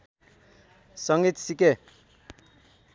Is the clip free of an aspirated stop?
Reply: yes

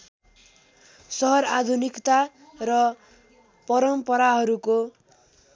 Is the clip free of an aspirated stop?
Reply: yes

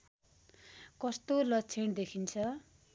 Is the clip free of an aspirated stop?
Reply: no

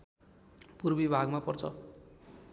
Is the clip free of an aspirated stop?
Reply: no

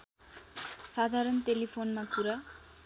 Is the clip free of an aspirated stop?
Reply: no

